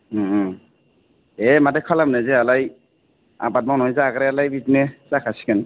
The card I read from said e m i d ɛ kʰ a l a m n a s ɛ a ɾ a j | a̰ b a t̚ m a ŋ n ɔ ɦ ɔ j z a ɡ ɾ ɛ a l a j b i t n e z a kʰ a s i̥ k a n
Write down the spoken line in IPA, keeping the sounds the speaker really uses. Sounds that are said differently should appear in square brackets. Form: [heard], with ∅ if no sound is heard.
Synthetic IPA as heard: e m [a] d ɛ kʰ a l a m n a [z] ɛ a [l] a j | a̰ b a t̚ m a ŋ n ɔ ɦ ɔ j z a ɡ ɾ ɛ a l a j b i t n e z a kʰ a s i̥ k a n